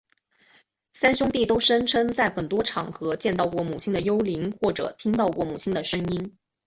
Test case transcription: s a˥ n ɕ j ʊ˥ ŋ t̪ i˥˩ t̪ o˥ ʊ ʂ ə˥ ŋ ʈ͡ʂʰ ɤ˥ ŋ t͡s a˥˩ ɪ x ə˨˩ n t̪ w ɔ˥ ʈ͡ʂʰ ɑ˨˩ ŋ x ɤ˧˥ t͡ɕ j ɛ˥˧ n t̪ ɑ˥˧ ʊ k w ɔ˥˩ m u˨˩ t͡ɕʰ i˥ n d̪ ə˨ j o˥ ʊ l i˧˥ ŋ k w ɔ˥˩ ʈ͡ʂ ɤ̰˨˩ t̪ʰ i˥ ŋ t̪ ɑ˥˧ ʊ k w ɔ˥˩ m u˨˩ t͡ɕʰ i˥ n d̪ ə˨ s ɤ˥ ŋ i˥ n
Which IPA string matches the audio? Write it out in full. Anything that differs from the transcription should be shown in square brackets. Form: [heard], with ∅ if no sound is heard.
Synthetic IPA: s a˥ n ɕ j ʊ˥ ŋ t̪ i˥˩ t̪ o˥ ʊ ʂ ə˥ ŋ ʈ͡ʂʰ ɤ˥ ŋ t͡s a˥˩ ɪ x ə˨˩ n t̪ w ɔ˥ ʈ͡ʂʰ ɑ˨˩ ŋ x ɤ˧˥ t͡ɕ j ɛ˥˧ n t̪ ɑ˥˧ ʊ k w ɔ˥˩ m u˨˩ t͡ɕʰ i˥ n d̪ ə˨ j o˥ ʊ l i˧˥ ŋ [x] w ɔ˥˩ ʈ͡ʂ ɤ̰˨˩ t̪ʰ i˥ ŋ t̪ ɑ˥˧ ʊ k w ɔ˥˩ m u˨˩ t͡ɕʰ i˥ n d̪ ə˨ [ʂ] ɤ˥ ŋ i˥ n